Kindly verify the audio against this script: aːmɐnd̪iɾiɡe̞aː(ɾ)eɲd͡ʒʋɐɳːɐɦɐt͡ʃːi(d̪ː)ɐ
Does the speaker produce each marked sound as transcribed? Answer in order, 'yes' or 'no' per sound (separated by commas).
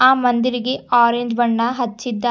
yes, yes